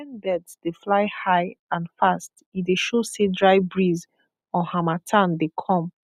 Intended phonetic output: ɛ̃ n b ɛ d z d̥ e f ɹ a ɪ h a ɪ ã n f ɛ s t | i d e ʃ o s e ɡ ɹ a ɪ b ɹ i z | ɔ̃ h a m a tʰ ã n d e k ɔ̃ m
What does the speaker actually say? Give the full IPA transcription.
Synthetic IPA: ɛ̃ n b ɛ d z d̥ e f l a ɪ h a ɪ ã n f a s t | i d e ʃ o s e d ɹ a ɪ b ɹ i z | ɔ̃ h a m a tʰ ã n d e kʰ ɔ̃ m